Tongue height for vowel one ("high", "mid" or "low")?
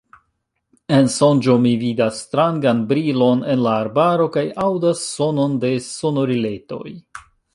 mid